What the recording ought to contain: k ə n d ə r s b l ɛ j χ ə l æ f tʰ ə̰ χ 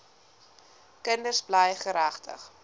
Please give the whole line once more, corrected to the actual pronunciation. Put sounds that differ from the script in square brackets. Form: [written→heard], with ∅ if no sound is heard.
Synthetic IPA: k ə n d ə r s b l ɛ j χ ə [l→ɾ] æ [f→χ] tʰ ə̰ χ

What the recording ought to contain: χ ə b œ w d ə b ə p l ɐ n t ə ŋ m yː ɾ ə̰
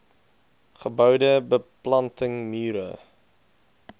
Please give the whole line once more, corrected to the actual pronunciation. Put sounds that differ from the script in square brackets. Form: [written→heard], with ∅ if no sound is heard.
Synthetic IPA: χ ə b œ w d ə b ə p l ɐ n t ə ŋ m yː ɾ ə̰

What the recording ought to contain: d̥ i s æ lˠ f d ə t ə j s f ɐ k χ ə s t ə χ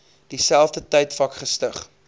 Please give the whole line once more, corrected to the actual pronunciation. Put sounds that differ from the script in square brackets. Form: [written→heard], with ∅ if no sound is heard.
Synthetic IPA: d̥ i s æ lˠ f d ə t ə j [s→t] f ɐ k χ ə s t ə χ

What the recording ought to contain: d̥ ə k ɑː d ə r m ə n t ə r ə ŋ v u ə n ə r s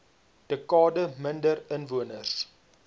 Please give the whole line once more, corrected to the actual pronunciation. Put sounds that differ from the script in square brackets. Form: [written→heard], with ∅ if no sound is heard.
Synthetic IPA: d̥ ə k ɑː d ə [r→∅] m ə n [t→d] ə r ə [ŋ→n] v u ə n ə r s

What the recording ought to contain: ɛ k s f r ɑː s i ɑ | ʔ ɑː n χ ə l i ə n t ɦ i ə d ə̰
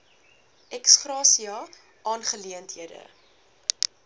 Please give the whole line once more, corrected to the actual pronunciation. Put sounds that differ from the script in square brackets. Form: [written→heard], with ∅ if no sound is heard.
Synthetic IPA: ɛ k s [f→χ] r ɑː s i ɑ | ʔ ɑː n χ ə l i ə n t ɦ i ə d ə̰

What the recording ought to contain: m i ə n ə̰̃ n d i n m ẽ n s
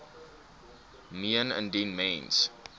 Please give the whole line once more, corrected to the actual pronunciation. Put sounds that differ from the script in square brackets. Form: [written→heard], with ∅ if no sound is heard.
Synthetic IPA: m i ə n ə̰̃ n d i n m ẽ n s

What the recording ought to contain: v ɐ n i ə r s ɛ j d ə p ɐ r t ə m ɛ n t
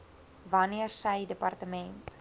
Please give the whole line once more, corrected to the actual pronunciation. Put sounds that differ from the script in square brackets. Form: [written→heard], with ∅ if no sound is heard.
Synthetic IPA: v ɐ n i ə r s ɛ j d ə p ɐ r t ə m ɛ n t

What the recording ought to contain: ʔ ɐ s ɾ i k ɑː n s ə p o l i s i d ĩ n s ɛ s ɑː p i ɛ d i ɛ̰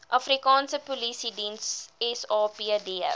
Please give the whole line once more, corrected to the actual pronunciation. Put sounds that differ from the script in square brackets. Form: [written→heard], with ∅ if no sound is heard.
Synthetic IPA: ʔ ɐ [s→f] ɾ i k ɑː n s ə p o l i s i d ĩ n s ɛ s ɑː p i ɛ d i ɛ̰

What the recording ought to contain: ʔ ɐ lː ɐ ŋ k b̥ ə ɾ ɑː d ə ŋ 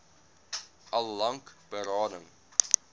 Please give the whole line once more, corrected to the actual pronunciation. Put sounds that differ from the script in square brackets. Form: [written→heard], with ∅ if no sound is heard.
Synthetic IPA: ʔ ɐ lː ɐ ŋ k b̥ ə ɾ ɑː [d→n] ə ŋ

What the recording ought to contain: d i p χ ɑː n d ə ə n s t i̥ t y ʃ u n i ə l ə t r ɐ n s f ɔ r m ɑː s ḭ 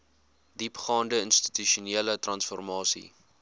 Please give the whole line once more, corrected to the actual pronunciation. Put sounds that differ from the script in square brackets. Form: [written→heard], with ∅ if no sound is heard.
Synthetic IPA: d i p χ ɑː n d ə ə n s t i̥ t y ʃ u n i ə l ə t r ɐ n s f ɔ r m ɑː s ḭ

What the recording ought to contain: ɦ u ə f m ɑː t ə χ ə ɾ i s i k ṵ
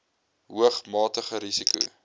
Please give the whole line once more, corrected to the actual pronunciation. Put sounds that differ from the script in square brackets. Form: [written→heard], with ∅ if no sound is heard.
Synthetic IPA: ɦ u ə [f→χ] m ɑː t ə χ ə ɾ i s i k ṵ

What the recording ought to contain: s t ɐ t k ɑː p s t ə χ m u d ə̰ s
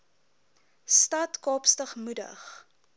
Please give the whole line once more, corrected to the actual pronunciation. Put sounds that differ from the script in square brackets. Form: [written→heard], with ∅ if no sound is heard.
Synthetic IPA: s t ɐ t k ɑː p s t ə χ m u d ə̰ [s→χ]

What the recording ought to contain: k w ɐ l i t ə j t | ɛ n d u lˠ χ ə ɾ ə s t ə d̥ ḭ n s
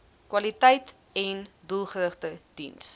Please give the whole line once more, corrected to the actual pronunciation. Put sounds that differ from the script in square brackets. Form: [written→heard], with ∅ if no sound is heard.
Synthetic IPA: k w ɐ l i t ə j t | ɛ n d u lˠ χ ə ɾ ə [s→χ] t ə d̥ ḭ n s

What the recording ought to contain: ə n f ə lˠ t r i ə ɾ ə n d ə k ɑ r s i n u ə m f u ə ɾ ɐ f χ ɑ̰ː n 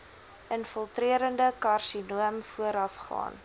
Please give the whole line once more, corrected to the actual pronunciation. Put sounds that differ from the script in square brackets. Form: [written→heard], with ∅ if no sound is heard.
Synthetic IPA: ə n f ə lˠ t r i ə ɾ ə n d ə k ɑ r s i n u ə m f u ə ɾ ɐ f χ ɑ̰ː n

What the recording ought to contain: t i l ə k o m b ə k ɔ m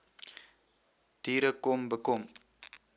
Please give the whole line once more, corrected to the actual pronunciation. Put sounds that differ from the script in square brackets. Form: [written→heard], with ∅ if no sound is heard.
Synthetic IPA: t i [l→ɾ] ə k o m b ə k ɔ m

